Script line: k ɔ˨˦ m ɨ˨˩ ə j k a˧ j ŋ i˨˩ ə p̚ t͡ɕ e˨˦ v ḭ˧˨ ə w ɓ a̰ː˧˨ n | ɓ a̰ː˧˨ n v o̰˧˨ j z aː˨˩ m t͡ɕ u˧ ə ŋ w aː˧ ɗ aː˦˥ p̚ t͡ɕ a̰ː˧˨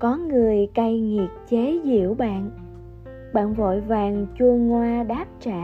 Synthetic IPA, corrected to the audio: k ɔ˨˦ ŋ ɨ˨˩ ə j k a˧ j ŋ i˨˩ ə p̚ t͡ɕ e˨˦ z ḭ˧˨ ə w ɓ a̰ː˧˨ n | ɓ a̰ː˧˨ n v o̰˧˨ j v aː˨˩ ŋ t͡ɕ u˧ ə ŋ w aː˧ ɗ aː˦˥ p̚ t͡ɕ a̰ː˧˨